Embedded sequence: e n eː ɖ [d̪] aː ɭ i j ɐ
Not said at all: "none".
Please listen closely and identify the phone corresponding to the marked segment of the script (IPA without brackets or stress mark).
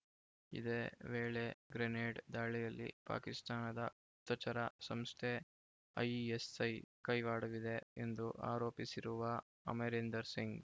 d̪